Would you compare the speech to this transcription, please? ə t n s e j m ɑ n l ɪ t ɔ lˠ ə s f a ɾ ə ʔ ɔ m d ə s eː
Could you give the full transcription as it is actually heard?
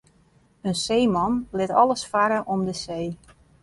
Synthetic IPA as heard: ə n s e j m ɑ n l ɪ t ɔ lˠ ə s f a ɾ ə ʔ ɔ m d ə s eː